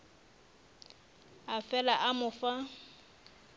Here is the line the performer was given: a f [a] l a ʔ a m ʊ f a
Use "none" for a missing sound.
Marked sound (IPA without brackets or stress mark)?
ɛ